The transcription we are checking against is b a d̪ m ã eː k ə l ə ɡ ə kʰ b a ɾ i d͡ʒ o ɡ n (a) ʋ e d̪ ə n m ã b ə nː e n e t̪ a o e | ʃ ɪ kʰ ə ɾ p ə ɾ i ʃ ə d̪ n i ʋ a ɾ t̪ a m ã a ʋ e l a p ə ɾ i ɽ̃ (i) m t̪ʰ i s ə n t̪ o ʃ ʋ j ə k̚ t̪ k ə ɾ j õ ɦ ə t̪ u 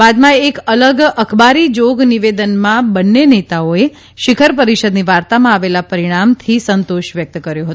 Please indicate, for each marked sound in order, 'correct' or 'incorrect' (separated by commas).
incorrect, incorrect